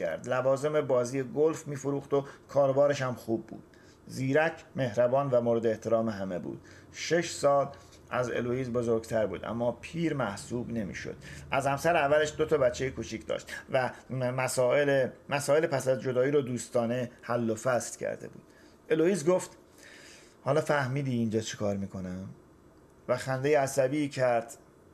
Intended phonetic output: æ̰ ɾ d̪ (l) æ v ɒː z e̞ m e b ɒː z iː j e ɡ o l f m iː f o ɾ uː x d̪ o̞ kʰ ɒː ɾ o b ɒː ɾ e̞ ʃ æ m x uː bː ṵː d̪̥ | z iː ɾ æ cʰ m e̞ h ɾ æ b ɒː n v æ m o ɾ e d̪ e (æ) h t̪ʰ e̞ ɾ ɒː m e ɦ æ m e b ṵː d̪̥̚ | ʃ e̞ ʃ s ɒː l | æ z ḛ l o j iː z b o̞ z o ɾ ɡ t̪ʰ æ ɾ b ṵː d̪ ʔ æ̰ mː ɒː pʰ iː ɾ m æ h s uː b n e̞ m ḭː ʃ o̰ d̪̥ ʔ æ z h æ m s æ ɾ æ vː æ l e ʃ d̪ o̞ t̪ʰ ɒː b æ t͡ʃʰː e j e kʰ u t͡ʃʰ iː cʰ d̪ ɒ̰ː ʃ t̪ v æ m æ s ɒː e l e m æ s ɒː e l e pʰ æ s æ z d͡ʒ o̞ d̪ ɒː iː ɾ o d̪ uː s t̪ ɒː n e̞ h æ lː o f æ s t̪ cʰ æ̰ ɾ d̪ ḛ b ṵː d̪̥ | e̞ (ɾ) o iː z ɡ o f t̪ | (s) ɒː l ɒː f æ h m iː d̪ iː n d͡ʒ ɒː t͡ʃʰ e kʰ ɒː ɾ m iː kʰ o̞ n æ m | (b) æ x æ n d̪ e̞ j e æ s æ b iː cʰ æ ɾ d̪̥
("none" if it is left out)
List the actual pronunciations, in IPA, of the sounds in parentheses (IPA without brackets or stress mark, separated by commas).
l, e, l, h, v